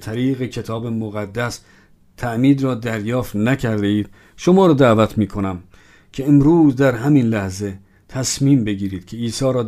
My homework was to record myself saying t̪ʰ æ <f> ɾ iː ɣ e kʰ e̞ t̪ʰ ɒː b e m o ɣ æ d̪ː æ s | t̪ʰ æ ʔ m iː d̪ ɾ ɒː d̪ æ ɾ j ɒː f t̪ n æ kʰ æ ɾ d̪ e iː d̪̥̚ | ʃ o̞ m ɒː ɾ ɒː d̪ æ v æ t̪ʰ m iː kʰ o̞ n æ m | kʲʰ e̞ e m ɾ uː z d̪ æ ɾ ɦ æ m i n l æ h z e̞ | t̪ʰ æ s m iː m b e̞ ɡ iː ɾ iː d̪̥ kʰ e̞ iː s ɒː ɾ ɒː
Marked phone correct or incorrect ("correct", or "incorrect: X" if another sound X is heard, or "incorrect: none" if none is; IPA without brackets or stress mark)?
incorrect: none